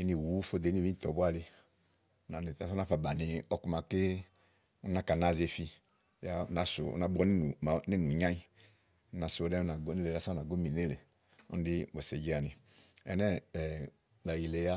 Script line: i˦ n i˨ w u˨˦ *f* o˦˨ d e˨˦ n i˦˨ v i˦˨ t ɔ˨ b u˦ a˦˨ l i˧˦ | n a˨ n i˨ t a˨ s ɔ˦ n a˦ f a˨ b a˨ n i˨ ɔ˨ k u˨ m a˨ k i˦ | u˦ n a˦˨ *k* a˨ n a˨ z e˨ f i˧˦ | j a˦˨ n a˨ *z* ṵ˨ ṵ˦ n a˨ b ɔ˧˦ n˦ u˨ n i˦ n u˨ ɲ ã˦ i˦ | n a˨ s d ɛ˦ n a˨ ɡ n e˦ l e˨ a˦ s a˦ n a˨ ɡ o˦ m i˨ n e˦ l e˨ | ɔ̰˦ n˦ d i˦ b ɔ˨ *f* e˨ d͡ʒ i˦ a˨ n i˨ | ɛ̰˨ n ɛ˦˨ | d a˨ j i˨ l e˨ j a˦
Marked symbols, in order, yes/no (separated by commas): yes, yes, no, no